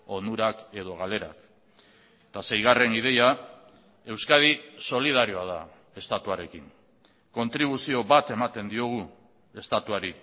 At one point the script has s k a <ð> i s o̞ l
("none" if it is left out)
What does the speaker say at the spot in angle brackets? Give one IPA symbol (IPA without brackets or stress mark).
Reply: ð